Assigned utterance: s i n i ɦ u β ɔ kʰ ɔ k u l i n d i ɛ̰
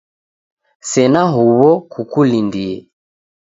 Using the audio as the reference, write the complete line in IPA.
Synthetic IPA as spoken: s ɛ n a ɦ u β ɔ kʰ u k u l i n d i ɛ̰